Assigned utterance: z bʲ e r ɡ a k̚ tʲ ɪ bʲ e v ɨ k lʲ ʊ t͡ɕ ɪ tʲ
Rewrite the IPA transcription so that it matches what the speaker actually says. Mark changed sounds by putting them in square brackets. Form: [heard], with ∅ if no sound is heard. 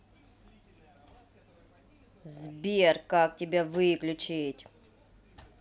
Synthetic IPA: z bʲ e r [k] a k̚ tʲ ɪ bʲ [a] v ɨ k lʲ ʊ t͡ɕ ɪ tʲ